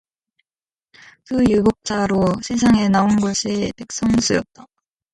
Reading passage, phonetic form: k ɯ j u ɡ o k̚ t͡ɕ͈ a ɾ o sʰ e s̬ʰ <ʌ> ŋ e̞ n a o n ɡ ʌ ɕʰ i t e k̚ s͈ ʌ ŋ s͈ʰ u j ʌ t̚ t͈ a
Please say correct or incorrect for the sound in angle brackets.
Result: incorrect